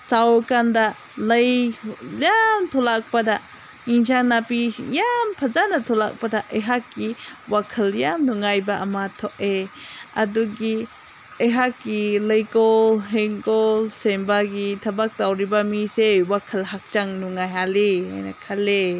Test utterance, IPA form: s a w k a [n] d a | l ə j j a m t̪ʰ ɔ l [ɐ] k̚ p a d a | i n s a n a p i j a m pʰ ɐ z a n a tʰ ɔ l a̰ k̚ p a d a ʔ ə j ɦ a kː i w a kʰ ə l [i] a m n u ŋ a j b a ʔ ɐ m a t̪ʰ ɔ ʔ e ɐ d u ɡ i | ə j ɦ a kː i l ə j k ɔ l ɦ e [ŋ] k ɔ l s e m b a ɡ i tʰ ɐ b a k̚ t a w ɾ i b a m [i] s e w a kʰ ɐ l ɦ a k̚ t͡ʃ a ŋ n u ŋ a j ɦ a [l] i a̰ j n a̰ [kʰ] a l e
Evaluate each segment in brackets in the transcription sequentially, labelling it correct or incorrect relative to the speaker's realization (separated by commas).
correct, incorrect, incorrect, correct, correct, correct, correct